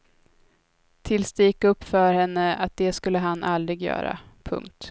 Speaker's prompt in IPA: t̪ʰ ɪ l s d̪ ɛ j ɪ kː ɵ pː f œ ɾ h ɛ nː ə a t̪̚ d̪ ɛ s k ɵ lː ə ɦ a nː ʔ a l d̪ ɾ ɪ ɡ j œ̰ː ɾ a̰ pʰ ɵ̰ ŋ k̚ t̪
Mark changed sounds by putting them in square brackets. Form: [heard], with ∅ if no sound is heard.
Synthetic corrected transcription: t̪ʰ ɪ l s d̪ ɛ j ɪ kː ɵ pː f œ ɾ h ɛ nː ə a t̪̚ d̪ ɛ s k ɵ lː ə ɦ a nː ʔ a l d̪ ɾ ɪ ɡ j œ̰ː ɾ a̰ pʰ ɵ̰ ŋ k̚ t̪